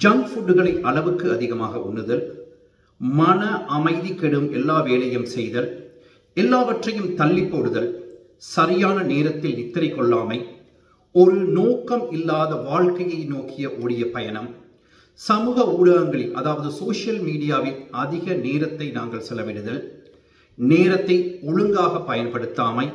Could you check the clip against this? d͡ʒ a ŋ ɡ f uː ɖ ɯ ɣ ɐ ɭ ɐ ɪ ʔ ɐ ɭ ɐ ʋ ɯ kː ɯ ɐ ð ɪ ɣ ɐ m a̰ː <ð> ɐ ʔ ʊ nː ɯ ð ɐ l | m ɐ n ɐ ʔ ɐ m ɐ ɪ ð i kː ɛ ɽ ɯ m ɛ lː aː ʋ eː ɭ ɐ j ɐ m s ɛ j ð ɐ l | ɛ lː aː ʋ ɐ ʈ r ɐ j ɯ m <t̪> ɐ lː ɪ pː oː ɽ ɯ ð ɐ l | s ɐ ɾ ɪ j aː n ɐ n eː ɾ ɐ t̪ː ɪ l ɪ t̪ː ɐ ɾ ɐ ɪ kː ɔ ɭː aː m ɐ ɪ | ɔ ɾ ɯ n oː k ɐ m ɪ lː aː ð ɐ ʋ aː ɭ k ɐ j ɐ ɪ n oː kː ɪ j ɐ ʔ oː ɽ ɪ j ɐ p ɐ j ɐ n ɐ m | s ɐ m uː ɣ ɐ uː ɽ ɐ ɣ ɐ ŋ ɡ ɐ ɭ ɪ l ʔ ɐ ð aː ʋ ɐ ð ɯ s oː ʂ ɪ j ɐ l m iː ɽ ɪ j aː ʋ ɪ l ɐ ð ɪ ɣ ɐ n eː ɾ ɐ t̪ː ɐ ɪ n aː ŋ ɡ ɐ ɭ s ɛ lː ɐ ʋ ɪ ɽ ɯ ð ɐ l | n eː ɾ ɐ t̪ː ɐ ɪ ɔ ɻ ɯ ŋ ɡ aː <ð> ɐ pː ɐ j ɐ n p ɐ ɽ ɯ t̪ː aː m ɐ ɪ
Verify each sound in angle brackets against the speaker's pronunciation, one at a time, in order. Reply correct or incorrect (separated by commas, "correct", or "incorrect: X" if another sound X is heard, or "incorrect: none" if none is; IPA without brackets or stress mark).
incorrect: ɣ, correct, incorrect: ɣ